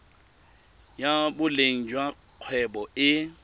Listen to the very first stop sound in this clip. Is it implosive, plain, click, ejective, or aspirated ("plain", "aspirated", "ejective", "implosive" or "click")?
plain